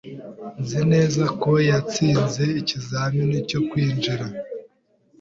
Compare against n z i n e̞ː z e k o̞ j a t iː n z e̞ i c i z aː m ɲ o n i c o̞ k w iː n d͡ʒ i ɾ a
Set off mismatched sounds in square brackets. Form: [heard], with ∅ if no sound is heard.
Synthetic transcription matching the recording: n z i n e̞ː z [a] k o̞ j a [t͡s] iː n z e̞ i c i z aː m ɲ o n i c o̞ k w iː n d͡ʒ i ɾ a